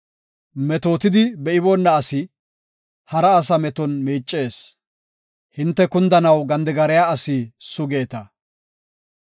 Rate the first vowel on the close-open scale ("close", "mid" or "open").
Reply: mid